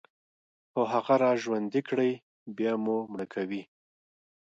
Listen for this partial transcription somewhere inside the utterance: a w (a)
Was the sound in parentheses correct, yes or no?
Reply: no